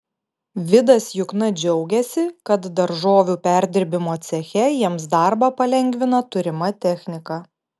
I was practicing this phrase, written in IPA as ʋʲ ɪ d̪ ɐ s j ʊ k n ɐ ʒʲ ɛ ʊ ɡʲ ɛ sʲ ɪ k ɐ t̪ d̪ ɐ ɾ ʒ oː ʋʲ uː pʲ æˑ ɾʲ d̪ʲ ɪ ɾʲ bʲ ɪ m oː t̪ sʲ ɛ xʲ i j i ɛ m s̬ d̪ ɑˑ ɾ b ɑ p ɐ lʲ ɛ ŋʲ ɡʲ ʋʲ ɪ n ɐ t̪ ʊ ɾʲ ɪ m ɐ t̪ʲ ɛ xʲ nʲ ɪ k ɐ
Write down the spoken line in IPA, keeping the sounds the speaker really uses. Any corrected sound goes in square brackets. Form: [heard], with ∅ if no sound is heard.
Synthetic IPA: ʋʲ ɪ d̪ ɐ s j ʊ k n ɐ [d͡ʒʲ] ɛ ʊ ɡʲ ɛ sʲ ɪ k ɐ t̪ d̪ ɐ ɾ ʒ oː ʋʲ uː pʲ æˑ ɾʲ d̪ʲ ɪ ɾʲ bʲ ɪ m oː t̪ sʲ ɛ xʲ [ɛ] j i ɛ m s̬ d̪ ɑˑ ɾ b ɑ p ɐ lʲ ɛ ŋʲ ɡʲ ʋʲ ɪ n ɐ t̪ ʊ ɾʲ ɪ m ɐ t̪ʲ ɛ xʲ nʲ ɪ k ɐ

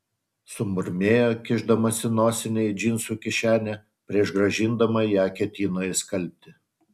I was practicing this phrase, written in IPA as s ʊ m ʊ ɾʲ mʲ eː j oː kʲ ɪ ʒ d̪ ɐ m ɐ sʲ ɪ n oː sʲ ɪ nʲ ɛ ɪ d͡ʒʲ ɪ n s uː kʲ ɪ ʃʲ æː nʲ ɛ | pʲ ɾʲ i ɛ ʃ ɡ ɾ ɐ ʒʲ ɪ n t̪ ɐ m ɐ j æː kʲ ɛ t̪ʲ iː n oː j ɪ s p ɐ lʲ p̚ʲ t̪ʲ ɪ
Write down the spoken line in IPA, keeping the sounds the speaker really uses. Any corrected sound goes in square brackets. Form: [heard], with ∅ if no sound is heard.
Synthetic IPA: s ʊ m ʊ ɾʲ mʲ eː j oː kʲ ɪ ʒ d̪ ɐ m ɐ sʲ ɪ n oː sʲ ɪ nʲ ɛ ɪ d͡ʒʲ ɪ n s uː kʲ ɪ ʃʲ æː nʲ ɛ | pʲ ɾʲ i ɛ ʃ ɡ ɾ ɐ ʒʲ ɪ n [d̪] ɐ m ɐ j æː kʲ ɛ t̪ʲ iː n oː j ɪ s [k] ɐ lʲ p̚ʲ t̪ʲ ɪ

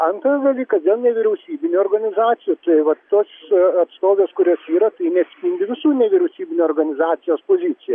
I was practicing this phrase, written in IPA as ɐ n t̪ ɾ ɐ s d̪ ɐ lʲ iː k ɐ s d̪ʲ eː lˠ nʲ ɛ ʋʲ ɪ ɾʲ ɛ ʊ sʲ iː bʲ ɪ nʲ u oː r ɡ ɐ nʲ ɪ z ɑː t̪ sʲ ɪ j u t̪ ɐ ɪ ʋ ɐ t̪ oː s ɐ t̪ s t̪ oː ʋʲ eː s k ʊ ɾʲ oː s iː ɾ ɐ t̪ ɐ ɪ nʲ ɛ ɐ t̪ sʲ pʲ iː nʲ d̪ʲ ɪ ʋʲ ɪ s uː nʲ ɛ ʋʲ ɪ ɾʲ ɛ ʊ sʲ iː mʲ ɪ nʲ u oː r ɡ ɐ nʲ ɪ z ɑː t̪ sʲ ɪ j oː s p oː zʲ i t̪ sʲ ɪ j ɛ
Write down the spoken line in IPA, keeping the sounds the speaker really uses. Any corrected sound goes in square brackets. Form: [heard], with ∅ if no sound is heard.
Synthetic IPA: ɐ n t̪ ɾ ɐ s d̪ ɐ lʲ iː k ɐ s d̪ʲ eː lˠ nʲ ɛ ʋʲ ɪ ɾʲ ɛ ʊ sʲ iː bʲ ɪ nʲ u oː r ɡ ɐ nʲ ɪ z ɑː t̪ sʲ ɪ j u t̪ ɐ ɪ ʋ ɐ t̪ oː s ɐ t̪ s t̪ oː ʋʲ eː s k ʊ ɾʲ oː s iː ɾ ɐ t̪ ɐ ɪ nʲ ɛ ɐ t̪ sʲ pʲ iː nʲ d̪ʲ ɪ ʋʲ ɪ s uː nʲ ɛ ʋʲ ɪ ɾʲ ɛ ʊ sʲ iː [bʲ] ɪ nʲ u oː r ɡ ɐ nʲ ɪ z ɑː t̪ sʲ ɪ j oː s p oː zʲ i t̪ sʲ ɪ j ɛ

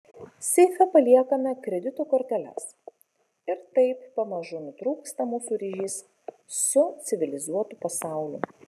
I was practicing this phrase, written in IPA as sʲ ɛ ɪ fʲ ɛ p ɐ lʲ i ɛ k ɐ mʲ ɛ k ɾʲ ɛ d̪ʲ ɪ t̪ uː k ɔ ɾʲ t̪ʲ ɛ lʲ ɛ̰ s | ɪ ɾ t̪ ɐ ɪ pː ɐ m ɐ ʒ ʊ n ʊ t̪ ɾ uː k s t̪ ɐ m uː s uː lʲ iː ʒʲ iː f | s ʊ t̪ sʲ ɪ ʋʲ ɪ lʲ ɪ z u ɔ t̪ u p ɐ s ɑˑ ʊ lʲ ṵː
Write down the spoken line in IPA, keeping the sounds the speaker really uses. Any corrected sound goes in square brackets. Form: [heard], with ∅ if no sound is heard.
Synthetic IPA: sʲ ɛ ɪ fʲ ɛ p ɐ lʲ i ɛ k ɐ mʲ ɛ k ɾʲ ɛ d̪ʲ ɪ t̪ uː k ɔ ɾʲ t̪ʲ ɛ lʲ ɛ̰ s | ɪ ɾ t̪ ɐ ɪ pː ɐ m ɐ ʒ ʊ n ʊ t̪ ɾ uː k s t̪ ɐ m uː s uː [ɾʲ] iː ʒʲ iː [s] | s ʊ t̪ sʲ ɪ ʋʲ ɪ lʲ ɪ z u ɔ t̪ u p ɐ s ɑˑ ʊ lʲ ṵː

